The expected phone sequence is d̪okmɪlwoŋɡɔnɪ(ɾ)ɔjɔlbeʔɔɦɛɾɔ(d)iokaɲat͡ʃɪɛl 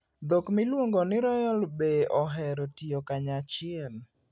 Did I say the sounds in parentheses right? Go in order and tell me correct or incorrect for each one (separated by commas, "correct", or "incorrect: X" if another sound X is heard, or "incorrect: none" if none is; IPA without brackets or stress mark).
correct, incorrect: t